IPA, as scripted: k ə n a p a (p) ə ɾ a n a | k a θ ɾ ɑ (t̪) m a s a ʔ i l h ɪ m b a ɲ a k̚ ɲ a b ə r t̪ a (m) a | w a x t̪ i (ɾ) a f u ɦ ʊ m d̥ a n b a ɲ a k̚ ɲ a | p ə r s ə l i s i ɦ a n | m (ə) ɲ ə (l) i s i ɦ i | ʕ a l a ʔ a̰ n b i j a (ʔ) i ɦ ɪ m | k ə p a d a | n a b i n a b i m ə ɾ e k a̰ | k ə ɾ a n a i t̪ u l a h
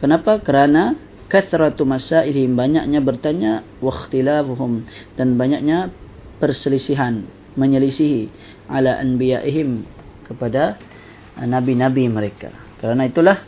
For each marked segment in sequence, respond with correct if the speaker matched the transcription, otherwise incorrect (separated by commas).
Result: incorrect, correct, incorrect, incorrect, correct, correct, correct